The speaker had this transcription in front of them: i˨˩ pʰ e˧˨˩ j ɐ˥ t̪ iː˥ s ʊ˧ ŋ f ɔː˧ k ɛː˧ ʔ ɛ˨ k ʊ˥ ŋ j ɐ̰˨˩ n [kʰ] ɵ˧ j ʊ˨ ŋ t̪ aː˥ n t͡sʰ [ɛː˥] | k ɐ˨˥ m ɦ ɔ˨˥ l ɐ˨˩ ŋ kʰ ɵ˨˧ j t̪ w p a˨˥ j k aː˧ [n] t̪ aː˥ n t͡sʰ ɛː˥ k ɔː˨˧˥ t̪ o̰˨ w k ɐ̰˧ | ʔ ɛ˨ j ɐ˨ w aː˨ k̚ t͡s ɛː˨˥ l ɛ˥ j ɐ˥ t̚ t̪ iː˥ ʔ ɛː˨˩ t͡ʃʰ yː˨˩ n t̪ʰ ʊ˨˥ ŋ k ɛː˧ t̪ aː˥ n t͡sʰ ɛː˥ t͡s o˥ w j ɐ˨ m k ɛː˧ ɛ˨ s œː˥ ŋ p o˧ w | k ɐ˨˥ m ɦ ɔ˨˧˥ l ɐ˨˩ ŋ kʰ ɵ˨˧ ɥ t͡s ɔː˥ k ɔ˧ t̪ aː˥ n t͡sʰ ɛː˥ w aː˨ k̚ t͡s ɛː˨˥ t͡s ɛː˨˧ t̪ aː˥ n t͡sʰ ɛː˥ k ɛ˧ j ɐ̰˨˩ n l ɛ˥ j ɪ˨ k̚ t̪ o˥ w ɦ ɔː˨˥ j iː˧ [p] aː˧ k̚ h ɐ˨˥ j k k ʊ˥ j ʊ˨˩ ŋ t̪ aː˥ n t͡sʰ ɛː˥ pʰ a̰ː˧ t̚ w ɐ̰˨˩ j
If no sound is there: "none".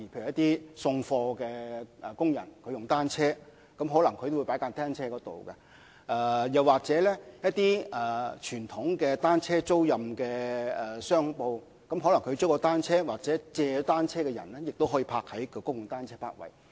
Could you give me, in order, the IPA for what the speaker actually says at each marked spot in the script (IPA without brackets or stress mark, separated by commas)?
kʰ, ɛː˥, n, pʰ